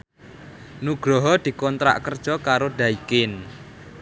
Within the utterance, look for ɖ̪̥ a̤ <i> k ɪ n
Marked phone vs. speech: correct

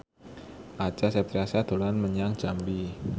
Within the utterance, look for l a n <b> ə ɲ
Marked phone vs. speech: incorrect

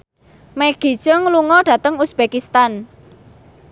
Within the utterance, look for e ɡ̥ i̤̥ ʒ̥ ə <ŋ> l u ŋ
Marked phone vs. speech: correct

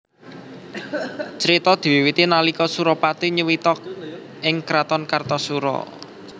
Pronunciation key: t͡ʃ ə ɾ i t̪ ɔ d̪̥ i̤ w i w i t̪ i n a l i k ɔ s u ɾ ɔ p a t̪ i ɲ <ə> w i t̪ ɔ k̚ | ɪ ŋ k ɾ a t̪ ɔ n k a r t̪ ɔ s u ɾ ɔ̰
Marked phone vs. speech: correct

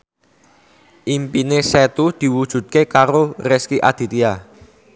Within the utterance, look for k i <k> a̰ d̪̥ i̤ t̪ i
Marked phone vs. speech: incorrect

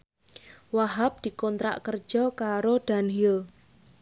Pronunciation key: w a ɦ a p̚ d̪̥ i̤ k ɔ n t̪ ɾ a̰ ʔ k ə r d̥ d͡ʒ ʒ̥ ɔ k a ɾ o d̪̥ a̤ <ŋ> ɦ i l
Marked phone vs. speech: incorrect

